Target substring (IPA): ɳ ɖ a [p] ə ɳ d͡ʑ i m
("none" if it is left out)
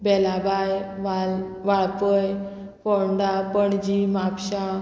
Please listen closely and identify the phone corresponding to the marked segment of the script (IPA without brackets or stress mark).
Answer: p